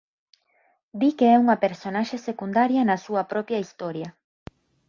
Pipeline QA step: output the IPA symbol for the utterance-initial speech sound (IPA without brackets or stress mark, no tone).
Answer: d̪